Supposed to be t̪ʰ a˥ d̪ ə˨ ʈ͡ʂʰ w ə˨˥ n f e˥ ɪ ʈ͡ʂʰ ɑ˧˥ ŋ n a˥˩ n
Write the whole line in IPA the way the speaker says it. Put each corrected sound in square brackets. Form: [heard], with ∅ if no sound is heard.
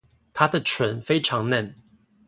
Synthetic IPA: t̪ʰ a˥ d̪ ə˨ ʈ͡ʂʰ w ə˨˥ n f e˥ ɪ ʈ͡ʂʰ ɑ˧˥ ŋ n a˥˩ n